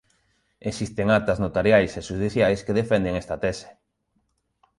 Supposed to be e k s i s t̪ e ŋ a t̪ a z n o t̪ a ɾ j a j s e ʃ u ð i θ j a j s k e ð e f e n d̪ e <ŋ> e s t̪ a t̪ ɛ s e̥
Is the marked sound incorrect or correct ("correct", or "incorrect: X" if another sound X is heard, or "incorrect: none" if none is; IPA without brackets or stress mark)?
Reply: correct